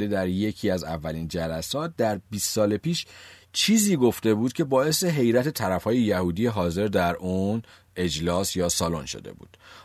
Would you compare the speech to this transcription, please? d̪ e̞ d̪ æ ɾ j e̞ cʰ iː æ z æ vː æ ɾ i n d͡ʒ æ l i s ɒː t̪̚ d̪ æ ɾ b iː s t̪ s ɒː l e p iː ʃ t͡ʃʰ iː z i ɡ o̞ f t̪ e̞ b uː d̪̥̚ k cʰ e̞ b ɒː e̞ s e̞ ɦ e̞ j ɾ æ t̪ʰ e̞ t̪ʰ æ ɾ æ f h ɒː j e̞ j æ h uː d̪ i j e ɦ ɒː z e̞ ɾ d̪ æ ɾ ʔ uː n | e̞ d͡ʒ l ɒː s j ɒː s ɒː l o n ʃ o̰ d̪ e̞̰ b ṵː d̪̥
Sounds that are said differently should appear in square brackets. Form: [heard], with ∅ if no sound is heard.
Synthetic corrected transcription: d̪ e̞ d̪ æ ɾ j e̞ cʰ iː æ z æ vː æ [l] i n d͡ʒ æ l [æ] s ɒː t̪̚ d̪ æ ɾ b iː s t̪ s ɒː l e p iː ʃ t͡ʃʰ iː z [iː] ɡ o̞ f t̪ e̞ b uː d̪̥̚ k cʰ e̞ b ɒː e̞ s e̞ ɦ e̞ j ɾ æ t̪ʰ e̞ t̪ʰ æ ɾ æ f h ɒː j e̞ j æ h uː d̪ i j e ɦ ɒː z e̞ ɾ d̪ æ ɾ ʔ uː n | e̞ d͡ʒ l ɒː s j ɒː s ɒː l o n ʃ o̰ d̪ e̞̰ b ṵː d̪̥